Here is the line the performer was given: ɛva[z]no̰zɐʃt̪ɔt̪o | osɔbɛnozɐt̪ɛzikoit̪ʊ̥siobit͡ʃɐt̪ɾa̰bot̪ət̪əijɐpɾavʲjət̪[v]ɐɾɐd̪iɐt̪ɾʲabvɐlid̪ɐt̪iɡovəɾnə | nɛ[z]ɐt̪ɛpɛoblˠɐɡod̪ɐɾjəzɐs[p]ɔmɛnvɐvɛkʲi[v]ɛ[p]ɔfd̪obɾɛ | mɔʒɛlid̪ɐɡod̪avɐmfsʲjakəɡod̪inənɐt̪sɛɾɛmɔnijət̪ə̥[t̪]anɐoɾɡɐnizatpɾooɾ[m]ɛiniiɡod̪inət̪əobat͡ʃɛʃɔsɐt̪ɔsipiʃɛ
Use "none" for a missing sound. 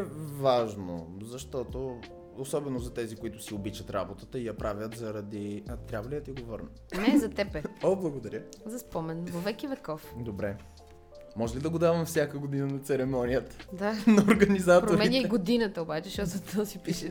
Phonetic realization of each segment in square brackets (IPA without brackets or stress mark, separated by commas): ʒ, z, z, p, v, k, d̪, m